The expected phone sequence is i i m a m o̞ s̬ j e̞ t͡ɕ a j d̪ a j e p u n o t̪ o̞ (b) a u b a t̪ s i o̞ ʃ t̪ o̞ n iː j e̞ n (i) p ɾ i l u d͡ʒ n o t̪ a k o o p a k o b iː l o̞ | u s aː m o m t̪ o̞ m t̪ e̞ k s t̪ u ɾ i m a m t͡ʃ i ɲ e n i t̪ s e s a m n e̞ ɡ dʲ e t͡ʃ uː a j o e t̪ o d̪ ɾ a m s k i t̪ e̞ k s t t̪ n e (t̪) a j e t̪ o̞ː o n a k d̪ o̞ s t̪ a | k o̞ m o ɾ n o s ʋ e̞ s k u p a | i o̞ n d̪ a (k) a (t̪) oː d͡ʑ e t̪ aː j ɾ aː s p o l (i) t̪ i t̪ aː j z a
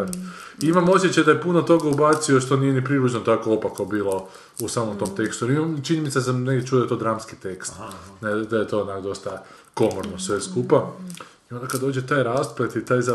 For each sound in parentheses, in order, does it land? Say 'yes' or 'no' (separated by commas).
no, yes, no, yes, no, no